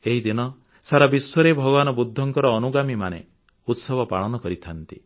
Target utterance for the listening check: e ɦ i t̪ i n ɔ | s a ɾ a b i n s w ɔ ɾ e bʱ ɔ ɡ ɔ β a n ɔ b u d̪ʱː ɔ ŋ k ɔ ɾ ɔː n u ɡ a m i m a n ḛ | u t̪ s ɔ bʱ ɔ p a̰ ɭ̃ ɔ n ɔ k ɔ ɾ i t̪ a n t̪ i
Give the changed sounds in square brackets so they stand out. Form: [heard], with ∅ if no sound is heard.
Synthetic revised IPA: e ɦ i [d̪] i n ɔ | s a ɾ a b i [∅] s w ɔ ɾ e bʱ ɔ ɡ ɔ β a n ɔ b u d̪ʱː ɔ ŋ k ɔ ɾ ɔː n u ɡ a m i m a n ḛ | u t̪ s ɔ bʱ ɔ p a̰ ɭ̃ ɔ n ɔ k ɔ ɾ i [t̪ʰ] a n t̪ i